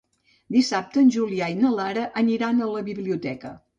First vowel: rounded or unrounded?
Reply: unrounded